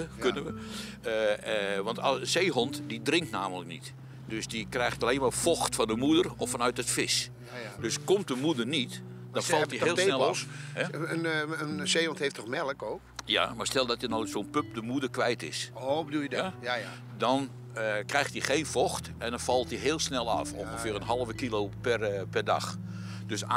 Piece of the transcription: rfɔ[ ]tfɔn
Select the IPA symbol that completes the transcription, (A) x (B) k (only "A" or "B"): A